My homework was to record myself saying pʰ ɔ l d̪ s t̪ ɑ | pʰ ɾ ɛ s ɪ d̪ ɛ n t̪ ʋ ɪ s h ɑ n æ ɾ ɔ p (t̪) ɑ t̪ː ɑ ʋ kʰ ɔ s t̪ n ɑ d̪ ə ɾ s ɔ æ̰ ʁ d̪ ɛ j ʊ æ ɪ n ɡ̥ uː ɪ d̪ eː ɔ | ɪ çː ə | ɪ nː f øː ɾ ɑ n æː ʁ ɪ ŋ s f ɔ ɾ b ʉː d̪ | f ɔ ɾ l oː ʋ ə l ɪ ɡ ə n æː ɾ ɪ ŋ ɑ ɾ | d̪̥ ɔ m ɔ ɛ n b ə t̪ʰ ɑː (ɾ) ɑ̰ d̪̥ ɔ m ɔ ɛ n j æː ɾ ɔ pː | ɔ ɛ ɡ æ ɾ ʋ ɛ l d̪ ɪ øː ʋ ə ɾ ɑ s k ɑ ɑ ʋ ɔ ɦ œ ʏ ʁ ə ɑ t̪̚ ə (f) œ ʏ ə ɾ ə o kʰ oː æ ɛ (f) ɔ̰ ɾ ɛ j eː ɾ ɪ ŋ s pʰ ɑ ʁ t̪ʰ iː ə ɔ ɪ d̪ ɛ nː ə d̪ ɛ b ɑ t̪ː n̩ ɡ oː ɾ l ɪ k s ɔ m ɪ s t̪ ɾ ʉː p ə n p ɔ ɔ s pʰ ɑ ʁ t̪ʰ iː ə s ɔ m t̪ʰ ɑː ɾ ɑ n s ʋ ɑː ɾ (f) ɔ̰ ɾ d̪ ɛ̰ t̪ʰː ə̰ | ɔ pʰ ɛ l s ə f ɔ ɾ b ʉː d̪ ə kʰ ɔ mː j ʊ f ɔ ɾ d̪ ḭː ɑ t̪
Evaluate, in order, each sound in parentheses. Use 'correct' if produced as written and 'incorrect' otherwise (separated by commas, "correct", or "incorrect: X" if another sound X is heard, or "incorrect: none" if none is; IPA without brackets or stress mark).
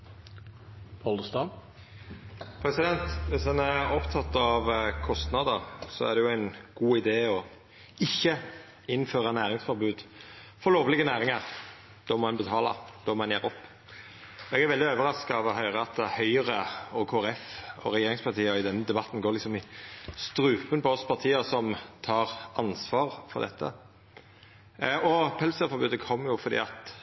incorrect: t̪ʰ, incorrect: l, incorrect: h, correct, correct